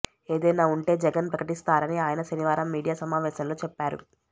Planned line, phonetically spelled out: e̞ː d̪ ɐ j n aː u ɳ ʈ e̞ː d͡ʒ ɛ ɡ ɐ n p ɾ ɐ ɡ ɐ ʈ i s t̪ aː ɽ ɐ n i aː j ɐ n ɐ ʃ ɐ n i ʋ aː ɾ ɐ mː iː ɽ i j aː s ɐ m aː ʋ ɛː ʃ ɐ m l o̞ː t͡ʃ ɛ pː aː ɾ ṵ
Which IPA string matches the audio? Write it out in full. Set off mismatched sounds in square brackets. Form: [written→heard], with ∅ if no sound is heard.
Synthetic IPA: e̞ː d̪ ɐ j n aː u ɳ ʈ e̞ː d͡ʒ ɛ ɡ ɐ n p ɾ ɐ [ɡ→k] ɐ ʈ i s t̪ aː [ɽ→ɾ] ɐ n i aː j ɐ n ɐ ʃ ɐ n i ʋ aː ɾ ɐ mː iː ɽ i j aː s ɐ m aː ʋ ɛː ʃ ɐ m l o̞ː t͡ʃ ɛ pː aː ɾ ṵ